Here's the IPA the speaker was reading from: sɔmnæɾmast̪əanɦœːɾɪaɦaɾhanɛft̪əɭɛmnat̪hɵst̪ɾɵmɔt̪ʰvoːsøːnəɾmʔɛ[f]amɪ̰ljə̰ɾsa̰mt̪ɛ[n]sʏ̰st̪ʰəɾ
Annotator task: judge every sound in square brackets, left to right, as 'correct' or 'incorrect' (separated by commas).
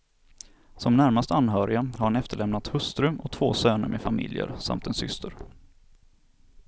correct, correct